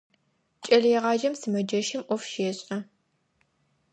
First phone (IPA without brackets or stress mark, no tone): t͡ʃʼ